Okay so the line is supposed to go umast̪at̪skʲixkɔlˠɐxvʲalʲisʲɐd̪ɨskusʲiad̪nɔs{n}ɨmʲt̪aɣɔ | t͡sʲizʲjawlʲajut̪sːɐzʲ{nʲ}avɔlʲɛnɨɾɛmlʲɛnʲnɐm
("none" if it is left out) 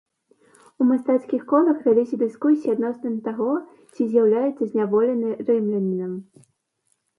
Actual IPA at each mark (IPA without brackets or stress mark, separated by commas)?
n, nʲ